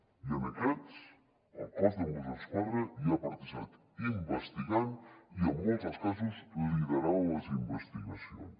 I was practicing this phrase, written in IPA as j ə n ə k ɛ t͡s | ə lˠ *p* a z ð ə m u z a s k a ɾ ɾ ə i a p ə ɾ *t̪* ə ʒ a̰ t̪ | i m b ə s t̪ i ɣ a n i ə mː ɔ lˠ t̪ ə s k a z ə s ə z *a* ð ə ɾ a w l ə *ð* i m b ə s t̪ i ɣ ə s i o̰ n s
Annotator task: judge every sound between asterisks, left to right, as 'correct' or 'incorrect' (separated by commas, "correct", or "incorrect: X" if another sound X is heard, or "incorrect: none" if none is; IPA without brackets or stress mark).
incorrect: k, correct, incorrect: i, incorrect: z